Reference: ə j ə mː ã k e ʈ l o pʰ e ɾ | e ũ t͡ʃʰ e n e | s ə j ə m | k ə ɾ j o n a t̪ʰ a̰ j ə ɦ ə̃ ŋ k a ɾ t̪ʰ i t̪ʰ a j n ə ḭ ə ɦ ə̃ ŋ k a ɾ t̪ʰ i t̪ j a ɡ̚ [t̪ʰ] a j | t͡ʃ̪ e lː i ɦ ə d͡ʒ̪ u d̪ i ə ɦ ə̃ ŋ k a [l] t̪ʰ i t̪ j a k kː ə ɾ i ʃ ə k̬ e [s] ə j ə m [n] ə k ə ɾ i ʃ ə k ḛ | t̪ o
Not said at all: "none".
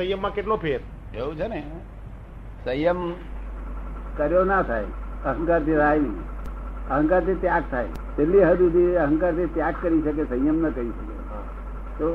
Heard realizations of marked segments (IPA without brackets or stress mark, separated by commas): t̪ʰ, ɾ, s, n